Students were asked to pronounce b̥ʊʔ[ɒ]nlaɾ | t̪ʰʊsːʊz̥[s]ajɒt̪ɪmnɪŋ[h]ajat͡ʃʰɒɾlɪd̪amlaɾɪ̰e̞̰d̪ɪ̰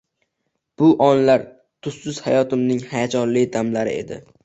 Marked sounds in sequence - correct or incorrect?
correct, incorrect: h, correct

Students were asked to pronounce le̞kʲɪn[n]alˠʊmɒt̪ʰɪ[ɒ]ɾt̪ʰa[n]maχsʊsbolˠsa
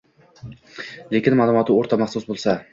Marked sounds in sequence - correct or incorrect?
incorrect: m, incorrect: o, incorrect: none

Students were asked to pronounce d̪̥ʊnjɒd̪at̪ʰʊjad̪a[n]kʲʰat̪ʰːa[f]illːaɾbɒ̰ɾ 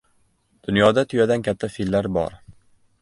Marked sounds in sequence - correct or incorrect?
correct, correct

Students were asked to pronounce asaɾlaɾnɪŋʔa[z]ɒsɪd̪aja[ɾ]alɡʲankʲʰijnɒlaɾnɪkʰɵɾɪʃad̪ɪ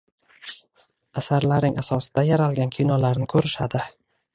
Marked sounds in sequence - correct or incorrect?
incorrect: s, correct

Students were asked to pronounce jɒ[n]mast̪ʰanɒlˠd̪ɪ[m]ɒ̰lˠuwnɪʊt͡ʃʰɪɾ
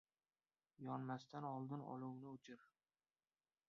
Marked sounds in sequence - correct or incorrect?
correct, incorrect: n

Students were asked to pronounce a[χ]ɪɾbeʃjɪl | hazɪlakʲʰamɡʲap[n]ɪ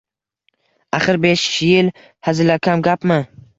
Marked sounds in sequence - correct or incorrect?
correct, incorrect: m

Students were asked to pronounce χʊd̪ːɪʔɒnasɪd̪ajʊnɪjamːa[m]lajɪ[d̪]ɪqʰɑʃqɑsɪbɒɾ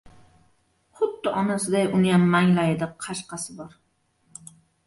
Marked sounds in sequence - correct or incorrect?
incorrect: ŋ, correct

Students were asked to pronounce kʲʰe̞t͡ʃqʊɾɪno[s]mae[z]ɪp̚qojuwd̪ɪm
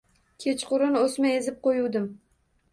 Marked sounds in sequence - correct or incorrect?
correct, correct

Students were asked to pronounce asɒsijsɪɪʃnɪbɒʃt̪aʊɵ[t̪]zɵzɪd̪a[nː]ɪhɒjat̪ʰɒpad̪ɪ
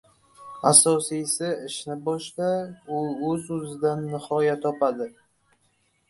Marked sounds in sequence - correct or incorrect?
incorrect: none, correct

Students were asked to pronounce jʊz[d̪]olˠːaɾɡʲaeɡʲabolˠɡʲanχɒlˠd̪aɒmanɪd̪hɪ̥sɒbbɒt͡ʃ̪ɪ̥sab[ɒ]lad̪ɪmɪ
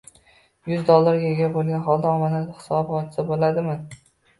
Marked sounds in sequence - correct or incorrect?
correct, incorrect: o

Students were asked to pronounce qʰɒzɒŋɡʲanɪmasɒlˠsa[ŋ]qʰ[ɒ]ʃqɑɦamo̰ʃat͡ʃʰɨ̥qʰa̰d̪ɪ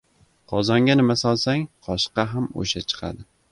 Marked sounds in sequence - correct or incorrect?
correct, correct

